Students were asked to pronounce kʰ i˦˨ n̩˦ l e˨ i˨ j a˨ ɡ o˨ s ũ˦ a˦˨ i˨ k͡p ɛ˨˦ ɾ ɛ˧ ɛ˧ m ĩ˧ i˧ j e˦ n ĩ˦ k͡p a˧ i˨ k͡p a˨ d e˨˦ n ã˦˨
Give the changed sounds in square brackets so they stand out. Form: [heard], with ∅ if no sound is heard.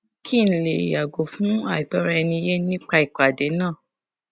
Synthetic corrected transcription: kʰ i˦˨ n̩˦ l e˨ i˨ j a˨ ɡ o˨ [f] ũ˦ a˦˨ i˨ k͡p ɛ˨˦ ɾ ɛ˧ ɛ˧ [n] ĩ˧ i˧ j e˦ n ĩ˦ k͡p a˧ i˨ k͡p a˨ d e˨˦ n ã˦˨